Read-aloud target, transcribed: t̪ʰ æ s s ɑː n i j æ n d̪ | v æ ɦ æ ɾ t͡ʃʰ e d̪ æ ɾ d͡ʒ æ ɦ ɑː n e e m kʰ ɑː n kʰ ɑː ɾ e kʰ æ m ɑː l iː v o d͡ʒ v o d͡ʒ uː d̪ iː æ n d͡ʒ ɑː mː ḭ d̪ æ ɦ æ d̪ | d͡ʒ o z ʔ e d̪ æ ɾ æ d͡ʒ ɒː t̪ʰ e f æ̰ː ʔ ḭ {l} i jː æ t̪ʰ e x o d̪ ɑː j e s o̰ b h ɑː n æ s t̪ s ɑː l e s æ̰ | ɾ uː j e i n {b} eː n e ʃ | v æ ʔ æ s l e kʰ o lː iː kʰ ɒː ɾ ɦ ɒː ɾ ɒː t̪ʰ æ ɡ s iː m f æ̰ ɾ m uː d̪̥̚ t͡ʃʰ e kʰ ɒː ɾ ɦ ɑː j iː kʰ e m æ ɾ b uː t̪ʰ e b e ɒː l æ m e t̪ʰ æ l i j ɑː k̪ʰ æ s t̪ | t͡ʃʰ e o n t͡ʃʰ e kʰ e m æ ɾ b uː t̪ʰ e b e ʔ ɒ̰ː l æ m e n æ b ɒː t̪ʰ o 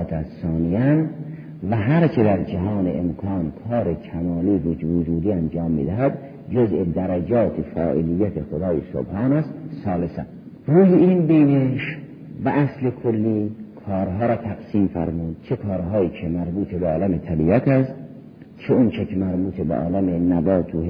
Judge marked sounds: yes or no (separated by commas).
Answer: yes, yes